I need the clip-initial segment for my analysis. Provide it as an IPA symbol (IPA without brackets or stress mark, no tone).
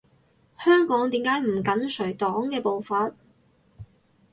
h